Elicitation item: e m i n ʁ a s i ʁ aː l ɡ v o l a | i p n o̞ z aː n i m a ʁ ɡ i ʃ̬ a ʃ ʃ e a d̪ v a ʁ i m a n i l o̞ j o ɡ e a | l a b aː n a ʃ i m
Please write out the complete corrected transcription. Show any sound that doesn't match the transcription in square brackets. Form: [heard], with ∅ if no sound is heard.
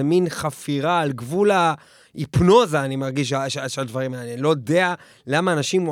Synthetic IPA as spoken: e m i n [χ] a [f] i ʁ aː l ɡ v [u] l a | i p n o̞ z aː n i m a ʁ ɡ i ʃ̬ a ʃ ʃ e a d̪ v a ʁ i m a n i l o̞ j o [d] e a | l a [m] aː n a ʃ i m